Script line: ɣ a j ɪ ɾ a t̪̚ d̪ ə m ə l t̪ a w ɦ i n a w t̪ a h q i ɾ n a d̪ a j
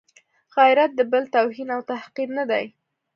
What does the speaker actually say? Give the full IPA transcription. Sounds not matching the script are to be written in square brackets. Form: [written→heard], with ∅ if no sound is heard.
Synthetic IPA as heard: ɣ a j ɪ ɾ a t̪̚ d̪ ə [m→b] ə l t̪ a w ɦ i n a w t̪ a h q i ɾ n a d̪ a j